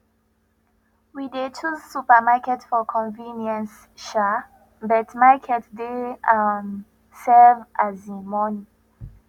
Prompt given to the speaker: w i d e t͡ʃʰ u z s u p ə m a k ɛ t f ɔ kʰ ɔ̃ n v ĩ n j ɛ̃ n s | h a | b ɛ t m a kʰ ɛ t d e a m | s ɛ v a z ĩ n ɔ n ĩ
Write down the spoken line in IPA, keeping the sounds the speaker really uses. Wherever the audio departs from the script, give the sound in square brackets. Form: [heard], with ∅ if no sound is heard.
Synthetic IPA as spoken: w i d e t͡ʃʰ u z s u p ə m a k ɛ t f ɔ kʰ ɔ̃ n v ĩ n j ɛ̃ n s | [ʃ] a | b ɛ t m a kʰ ɛ t d e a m | s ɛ v a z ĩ [m] ɔ n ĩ